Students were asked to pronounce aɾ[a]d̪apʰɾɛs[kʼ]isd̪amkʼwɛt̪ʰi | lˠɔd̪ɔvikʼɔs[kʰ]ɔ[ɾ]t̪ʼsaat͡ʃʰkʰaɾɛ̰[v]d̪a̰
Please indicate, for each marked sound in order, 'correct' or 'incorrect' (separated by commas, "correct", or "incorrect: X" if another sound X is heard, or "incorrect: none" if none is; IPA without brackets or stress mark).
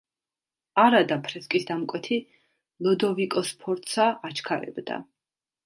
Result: correct, correct, incorrect: pʰ, correct, incorrect: b